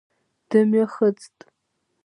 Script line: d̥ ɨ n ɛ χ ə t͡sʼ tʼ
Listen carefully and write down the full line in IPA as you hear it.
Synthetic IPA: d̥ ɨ m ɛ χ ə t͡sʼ tʼ